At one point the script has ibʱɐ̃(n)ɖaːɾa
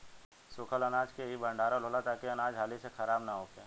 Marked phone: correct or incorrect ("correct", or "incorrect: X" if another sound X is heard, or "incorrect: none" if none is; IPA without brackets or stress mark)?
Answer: incorrect: ɳ